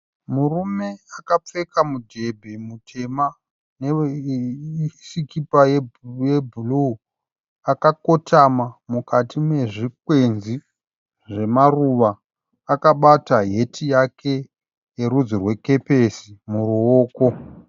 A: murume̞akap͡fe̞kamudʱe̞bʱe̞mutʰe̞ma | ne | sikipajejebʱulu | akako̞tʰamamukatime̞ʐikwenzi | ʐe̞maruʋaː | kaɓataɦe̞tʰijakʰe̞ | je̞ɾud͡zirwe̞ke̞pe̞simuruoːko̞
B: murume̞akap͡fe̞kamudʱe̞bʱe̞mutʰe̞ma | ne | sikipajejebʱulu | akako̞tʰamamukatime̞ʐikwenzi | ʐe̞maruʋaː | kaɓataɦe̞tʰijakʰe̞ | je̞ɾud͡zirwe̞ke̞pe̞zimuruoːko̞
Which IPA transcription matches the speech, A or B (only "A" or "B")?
A